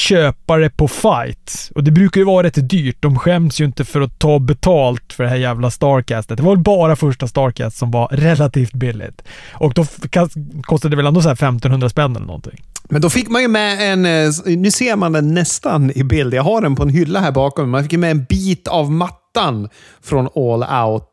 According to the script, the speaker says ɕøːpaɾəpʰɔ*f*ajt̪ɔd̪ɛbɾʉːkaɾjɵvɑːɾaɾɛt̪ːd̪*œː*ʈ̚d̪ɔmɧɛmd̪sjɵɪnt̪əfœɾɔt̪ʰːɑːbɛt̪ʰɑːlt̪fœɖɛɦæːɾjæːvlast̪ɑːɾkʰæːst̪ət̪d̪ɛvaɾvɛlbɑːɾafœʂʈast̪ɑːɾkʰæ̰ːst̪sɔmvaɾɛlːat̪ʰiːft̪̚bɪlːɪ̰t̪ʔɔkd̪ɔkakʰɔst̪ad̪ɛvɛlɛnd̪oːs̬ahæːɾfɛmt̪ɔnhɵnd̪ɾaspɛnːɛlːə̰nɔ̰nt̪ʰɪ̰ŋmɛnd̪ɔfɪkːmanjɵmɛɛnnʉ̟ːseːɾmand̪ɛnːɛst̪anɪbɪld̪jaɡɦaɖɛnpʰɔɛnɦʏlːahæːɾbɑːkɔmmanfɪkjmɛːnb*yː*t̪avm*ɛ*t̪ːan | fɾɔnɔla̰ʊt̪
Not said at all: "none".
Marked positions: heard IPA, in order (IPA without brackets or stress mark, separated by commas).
f, yː, iː, a